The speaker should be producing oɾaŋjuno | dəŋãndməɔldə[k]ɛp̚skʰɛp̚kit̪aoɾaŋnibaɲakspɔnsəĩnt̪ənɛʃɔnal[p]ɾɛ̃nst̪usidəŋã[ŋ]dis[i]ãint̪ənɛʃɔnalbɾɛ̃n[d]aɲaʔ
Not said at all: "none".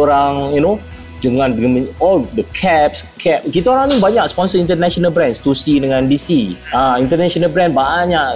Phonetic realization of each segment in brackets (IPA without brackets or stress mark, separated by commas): kʰ, b, n, i, b